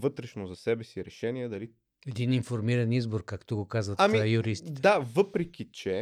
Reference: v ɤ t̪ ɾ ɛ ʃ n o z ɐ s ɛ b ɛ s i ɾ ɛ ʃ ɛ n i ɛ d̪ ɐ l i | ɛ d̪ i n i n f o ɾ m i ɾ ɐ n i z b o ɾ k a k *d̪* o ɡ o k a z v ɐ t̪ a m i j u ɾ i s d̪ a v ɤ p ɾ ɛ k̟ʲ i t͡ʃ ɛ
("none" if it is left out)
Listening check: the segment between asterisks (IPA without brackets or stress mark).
t̪